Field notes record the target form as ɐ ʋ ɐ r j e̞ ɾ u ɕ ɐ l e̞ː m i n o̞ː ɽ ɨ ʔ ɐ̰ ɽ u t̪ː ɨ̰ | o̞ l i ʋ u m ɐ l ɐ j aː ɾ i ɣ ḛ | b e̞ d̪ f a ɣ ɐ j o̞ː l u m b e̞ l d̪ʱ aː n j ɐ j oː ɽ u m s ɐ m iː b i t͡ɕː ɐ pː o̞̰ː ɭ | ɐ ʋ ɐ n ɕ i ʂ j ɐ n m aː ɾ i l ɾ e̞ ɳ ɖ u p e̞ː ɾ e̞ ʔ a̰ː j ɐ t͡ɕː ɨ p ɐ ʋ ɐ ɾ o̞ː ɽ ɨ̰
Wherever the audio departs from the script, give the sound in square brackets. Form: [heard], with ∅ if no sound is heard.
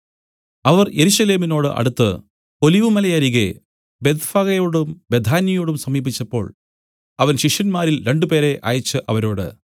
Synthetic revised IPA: ɐ ʋ ɐ r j e̞ ɾ u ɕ ɐ l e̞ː m i n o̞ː ɽ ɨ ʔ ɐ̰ ɽ u t̪ː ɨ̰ | o̞ l i ʋ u m ɐ l ɐ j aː ɾ i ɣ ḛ | b e̞ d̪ f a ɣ ɐ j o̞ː [ɽ] u m b e̞ [∅] d̪ʱ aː n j ɐ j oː ɽ u m s ɐ m iː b i t͡ɕː ɐ pː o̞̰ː ɭ | ɐ ʋ ɐ n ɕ i ʂ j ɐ n m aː ɾ i l ɾ e̞ ɳ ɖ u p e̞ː ɾ e̞ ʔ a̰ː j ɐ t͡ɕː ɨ [ʔ] ɐ ʋ ɐ ɾ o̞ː ɽ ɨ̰